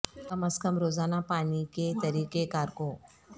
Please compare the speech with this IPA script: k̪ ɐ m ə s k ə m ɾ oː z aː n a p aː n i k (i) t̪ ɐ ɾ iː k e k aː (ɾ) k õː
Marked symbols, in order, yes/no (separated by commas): no, yes